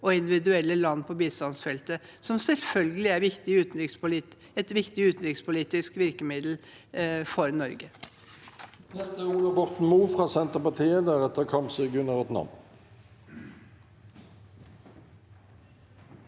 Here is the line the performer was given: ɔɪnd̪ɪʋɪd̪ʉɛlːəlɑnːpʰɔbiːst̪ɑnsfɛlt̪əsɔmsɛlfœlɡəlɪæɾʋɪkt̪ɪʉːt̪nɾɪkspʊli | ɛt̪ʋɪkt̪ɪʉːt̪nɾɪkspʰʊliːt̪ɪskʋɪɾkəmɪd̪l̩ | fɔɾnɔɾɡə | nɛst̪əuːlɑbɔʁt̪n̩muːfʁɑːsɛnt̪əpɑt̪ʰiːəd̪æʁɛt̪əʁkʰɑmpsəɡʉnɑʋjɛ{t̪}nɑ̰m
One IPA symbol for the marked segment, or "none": t̪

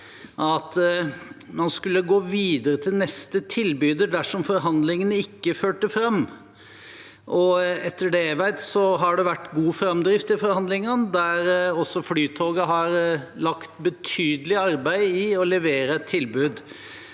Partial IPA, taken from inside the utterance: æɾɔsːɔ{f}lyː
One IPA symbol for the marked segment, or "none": f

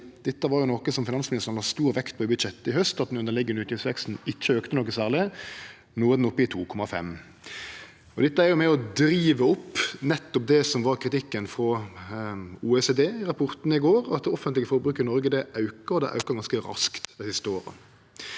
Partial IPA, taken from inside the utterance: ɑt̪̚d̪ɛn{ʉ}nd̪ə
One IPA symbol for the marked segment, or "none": ʉ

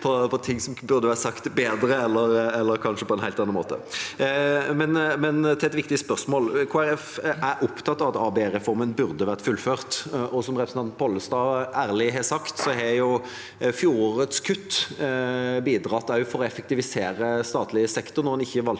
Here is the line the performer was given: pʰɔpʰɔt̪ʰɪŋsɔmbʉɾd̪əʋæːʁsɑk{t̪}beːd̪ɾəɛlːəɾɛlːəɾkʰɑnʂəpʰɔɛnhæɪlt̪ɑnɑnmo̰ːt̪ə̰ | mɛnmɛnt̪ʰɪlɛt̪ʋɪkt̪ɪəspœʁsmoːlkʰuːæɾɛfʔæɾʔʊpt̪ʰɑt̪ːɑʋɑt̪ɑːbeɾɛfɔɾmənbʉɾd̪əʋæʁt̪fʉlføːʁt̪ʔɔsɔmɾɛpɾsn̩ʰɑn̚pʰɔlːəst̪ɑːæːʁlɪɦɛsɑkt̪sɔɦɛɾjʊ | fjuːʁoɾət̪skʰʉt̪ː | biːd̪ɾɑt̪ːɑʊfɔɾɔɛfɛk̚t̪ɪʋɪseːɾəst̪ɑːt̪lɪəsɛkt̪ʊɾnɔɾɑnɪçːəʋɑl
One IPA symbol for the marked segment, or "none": t̪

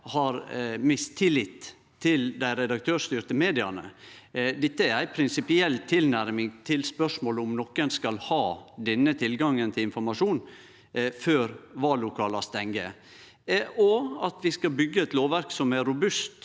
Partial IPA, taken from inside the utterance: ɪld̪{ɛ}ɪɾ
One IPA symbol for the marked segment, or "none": æ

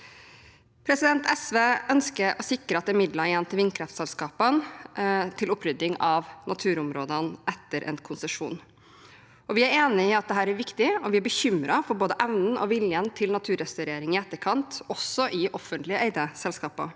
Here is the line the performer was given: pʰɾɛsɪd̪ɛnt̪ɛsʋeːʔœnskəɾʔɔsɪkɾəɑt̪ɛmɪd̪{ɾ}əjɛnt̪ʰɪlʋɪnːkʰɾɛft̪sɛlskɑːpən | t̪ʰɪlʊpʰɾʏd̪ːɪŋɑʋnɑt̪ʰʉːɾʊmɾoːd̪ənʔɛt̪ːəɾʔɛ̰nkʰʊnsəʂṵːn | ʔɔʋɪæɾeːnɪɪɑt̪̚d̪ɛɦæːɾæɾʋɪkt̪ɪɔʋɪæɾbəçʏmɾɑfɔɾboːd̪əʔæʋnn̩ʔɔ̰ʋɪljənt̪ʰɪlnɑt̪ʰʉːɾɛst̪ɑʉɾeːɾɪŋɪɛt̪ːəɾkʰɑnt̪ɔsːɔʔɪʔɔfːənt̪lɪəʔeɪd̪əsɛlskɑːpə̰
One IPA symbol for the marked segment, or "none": l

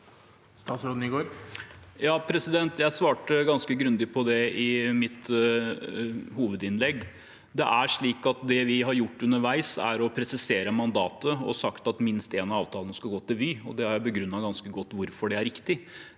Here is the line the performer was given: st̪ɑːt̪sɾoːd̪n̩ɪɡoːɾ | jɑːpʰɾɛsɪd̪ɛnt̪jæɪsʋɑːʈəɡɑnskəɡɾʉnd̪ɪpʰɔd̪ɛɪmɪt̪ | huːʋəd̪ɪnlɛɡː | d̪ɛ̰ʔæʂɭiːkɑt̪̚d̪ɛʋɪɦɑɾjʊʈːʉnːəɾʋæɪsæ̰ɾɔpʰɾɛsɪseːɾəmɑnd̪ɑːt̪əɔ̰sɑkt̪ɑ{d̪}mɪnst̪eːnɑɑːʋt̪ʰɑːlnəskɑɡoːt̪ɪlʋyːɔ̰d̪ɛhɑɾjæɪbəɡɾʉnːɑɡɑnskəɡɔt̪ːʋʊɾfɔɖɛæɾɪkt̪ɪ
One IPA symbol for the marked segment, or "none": t̪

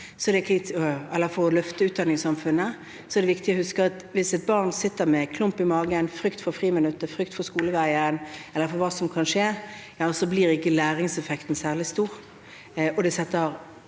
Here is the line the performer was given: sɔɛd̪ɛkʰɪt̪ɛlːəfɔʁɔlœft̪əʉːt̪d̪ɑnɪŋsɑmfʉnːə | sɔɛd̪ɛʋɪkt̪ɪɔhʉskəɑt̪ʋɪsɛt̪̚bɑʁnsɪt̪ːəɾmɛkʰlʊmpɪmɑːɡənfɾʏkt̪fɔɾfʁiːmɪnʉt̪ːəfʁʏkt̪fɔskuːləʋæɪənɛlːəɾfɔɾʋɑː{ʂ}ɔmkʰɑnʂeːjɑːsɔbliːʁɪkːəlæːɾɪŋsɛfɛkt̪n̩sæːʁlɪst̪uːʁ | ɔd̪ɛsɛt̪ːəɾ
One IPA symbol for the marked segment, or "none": s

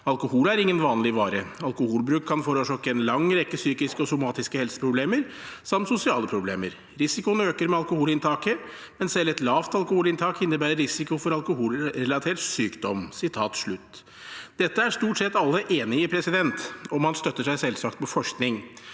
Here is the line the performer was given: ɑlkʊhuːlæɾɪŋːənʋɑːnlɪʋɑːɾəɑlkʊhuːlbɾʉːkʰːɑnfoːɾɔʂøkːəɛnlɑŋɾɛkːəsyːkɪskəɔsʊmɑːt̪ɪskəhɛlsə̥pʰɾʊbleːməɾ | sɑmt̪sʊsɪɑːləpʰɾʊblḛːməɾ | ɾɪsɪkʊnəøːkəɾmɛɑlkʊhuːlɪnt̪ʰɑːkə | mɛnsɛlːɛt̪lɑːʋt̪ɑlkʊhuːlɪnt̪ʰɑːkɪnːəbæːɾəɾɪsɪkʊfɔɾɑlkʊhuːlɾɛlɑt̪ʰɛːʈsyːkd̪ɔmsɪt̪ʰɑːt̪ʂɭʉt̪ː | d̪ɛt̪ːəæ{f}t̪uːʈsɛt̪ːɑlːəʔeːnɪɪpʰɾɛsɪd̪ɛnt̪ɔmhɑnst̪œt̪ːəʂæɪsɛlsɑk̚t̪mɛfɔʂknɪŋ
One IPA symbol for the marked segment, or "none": ʂ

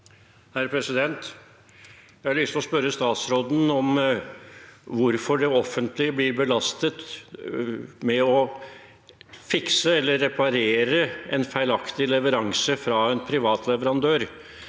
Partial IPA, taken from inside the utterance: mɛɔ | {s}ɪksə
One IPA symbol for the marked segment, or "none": f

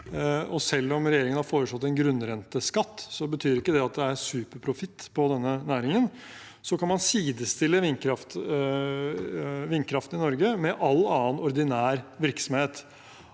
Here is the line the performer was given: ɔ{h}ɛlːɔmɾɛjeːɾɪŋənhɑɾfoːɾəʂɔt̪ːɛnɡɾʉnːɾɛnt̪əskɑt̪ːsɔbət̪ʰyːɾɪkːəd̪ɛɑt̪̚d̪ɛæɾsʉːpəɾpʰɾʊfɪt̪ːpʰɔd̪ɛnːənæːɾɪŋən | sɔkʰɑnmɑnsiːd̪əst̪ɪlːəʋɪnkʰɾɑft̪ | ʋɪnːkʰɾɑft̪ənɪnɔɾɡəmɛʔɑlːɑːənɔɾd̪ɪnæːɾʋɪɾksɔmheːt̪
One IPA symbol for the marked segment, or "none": s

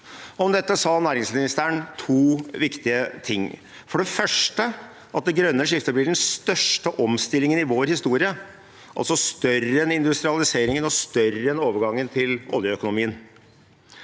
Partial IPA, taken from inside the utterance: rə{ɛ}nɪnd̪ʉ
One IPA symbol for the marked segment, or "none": ɛ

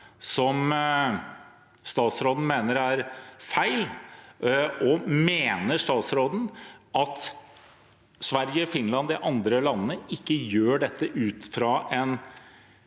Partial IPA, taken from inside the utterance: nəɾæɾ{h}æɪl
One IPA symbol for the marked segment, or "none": f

